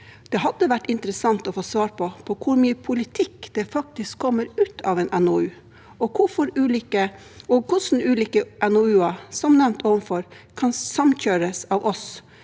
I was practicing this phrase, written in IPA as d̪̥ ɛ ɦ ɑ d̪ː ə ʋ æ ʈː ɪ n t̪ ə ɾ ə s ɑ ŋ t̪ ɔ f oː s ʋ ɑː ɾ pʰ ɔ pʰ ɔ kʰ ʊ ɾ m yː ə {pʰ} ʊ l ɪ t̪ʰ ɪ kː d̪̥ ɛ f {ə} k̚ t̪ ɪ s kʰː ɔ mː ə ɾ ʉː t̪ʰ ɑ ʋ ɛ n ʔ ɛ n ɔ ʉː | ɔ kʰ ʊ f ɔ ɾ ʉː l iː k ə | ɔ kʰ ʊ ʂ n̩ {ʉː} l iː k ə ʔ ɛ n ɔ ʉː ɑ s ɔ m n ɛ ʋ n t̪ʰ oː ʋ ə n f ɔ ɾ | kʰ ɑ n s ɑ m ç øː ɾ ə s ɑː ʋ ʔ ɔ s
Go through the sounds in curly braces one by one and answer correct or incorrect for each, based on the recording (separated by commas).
correct, incorrect, correct